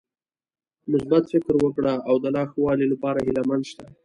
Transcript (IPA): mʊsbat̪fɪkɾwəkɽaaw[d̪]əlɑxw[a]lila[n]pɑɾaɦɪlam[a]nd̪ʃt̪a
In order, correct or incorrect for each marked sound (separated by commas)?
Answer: correct, incorrect, incorrect, correct